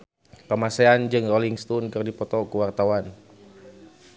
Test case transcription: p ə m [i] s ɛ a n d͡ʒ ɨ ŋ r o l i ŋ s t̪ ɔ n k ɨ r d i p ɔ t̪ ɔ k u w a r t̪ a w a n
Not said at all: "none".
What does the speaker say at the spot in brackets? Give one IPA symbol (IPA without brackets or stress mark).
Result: a